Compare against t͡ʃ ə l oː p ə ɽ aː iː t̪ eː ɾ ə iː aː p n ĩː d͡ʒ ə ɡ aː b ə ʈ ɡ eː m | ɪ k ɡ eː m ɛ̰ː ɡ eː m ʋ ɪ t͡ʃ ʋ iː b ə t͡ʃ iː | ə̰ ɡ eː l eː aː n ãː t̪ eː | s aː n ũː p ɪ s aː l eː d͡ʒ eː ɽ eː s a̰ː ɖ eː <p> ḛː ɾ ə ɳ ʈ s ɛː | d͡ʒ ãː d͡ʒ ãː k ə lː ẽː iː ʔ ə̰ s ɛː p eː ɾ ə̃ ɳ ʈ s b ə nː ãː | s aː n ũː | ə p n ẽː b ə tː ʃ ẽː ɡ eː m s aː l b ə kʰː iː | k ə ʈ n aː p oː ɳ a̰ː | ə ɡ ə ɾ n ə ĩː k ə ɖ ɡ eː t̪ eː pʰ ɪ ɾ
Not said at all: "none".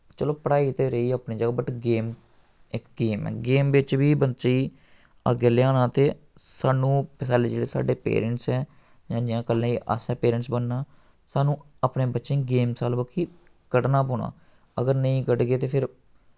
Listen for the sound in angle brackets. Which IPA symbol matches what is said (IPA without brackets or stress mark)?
p